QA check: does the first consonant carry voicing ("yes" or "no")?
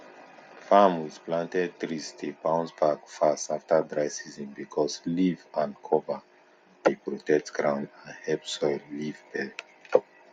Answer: no